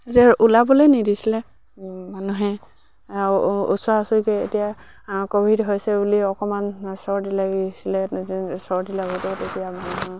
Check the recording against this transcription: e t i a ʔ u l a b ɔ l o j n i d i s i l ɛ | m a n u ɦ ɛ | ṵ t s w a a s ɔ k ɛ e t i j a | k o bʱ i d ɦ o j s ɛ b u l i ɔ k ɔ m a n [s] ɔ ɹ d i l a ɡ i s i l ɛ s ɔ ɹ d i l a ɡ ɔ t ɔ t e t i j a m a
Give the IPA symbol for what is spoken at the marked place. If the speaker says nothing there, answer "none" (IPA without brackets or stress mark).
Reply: s